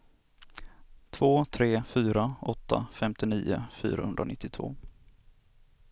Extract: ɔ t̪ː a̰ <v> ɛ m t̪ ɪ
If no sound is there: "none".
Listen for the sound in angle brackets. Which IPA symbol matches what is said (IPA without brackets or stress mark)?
f